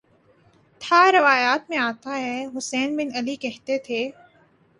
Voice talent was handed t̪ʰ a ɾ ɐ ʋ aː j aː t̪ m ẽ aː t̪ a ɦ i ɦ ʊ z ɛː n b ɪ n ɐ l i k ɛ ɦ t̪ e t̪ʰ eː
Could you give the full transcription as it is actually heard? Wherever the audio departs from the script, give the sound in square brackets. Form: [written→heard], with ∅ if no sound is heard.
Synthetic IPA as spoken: t̪ʰ a ɾ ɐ ʋ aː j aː t̪ m ẽ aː t̪ a ɦ [i→ɛ] ɦ ʊ [z→s] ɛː n b ɪ n ɐ l i k ɛ ɦ t̪ e t̪ʰ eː